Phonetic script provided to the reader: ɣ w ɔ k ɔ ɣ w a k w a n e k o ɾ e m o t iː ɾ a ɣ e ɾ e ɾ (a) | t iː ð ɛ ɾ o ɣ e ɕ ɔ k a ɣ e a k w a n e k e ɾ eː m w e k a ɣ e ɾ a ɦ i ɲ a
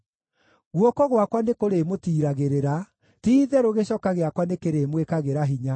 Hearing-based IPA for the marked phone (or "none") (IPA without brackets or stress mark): a